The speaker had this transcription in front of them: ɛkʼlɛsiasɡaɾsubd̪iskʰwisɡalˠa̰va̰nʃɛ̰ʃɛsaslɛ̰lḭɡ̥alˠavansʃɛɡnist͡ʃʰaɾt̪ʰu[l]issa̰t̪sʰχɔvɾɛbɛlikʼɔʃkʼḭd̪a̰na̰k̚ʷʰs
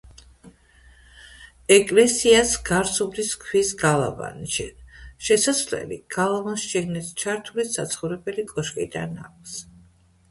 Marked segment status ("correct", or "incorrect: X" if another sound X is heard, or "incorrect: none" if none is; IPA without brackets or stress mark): correct